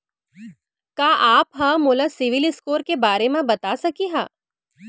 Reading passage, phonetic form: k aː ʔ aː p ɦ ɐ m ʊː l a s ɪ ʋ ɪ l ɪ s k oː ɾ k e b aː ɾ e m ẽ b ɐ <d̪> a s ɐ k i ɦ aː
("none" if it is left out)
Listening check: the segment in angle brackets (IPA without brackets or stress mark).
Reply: t̪